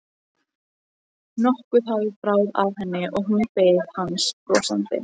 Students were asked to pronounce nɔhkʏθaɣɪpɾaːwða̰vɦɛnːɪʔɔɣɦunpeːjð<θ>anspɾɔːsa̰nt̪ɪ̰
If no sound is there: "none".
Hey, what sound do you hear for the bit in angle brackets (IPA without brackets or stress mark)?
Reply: h